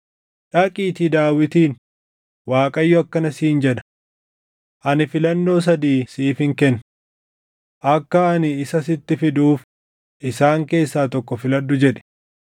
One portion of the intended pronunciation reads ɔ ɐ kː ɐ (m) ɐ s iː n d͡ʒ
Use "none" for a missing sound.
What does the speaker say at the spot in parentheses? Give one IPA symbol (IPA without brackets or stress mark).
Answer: n